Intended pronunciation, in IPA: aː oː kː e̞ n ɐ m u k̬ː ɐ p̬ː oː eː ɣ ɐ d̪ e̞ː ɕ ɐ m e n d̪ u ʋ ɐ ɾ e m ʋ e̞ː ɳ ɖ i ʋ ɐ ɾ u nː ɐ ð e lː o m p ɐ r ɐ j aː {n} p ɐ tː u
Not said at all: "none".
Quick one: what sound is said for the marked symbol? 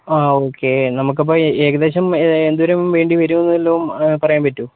m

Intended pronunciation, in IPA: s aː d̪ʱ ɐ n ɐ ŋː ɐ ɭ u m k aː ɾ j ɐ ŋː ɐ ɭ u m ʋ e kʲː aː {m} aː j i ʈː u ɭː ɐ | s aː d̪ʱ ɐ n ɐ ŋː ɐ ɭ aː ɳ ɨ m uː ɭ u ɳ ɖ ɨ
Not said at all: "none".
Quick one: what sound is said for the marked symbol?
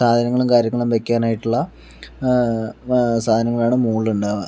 n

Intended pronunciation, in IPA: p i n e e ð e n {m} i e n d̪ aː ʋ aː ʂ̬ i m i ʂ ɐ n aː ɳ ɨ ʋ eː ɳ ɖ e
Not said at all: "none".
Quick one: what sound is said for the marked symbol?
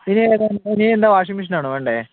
n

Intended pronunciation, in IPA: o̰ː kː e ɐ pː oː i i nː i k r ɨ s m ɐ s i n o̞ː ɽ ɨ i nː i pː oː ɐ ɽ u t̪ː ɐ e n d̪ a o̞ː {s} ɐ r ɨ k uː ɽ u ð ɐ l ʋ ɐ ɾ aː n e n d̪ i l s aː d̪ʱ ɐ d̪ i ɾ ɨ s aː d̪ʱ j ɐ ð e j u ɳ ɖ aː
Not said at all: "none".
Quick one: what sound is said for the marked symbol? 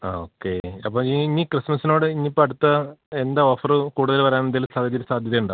f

